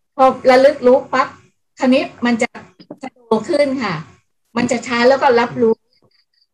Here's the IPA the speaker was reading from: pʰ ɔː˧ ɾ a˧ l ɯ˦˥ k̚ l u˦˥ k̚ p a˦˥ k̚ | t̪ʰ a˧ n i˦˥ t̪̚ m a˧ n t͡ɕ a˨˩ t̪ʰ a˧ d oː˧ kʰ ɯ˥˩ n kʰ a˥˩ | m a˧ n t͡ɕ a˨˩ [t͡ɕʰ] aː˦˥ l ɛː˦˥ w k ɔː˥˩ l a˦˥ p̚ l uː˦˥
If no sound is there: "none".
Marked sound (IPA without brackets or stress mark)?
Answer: t͡ɕʰ